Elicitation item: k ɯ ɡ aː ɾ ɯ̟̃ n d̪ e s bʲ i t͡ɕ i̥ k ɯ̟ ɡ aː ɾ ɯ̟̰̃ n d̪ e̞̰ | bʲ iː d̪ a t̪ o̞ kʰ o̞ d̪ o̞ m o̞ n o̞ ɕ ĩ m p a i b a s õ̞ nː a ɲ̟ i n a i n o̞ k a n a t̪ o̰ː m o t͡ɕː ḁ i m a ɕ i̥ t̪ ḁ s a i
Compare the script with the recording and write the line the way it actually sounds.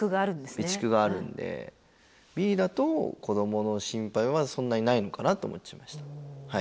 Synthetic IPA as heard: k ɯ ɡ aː ɾ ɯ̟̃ n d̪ e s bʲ i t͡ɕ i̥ k ɯ̟ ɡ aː ɾ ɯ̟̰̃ n d̪ e̞̰ | bʲ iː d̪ a t̪ o̞ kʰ o̞ d̪ o̞ m o̞ n o̞ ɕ ĩ m p a i β a s õ̞ nː a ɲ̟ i n a i n o̞ k a n a t̪ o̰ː m o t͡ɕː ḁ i m a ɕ i̥ t̪ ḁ h a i